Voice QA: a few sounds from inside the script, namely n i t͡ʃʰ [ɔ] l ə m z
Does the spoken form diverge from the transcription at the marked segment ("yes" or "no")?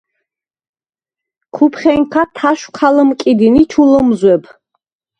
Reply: yes